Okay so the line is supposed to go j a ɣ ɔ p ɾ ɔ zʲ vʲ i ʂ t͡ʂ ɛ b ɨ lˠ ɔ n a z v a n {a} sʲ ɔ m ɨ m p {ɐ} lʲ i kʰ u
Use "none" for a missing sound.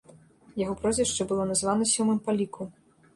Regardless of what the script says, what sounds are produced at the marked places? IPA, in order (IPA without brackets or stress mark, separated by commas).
ɐ, a